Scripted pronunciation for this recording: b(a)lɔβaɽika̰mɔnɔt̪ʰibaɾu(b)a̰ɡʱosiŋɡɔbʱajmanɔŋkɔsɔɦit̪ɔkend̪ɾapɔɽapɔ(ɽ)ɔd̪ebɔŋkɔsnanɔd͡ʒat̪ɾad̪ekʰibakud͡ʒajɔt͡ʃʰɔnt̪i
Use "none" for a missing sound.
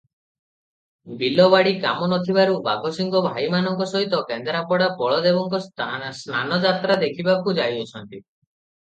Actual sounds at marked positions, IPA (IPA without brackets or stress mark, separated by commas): i, b, ɭ